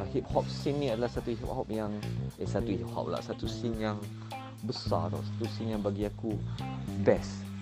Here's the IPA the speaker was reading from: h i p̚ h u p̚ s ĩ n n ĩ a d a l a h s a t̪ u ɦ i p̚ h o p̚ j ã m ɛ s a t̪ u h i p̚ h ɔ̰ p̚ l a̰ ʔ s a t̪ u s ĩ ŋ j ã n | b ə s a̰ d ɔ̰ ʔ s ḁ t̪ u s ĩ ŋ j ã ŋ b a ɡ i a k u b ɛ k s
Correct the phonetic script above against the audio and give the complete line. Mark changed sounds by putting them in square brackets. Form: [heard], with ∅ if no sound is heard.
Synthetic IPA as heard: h i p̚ h [ɔ] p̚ s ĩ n n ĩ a d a l a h s a t̪ u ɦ i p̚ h [ɔ] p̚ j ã [ŋ] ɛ s a t̪ u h i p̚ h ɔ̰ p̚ l a̰ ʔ s a t̪ u s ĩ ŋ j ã [ŋ] | b ə s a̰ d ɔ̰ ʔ s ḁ t̪ u s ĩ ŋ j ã ŋ b a ɡ i a k u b ɛ [∅] s